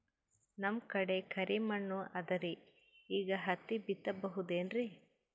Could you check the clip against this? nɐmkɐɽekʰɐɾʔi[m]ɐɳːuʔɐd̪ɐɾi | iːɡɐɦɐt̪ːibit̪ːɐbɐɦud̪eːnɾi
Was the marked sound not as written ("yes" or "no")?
no